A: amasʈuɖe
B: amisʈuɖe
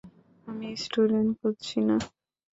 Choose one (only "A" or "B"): B